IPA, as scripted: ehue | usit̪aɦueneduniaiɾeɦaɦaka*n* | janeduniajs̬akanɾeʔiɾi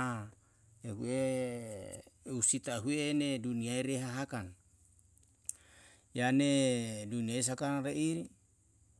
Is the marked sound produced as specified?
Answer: yes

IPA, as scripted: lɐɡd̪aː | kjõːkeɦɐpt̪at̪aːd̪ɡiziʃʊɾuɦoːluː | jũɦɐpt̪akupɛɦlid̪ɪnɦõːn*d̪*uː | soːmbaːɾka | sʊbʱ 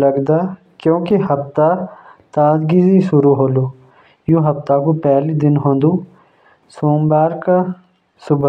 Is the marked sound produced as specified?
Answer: yes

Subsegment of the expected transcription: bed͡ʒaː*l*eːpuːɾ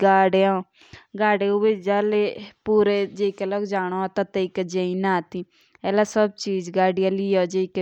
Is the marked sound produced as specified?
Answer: yes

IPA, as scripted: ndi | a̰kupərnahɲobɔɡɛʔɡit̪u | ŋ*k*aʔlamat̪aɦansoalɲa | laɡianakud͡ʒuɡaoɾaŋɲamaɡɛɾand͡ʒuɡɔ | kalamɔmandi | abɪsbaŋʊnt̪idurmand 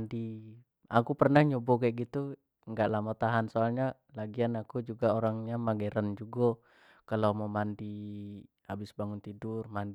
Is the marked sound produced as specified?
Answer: no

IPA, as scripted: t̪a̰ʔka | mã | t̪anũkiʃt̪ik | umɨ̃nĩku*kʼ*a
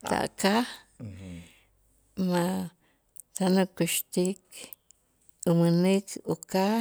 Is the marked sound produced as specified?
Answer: no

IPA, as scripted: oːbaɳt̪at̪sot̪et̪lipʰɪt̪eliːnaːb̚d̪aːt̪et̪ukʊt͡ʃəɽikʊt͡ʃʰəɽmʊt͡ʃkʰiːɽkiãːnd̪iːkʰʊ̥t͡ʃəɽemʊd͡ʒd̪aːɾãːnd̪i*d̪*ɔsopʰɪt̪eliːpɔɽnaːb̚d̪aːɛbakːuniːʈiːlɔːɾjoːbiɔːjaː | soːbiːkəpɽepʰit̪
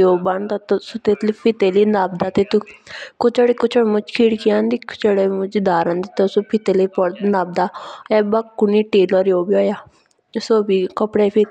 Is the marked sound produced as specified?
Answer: no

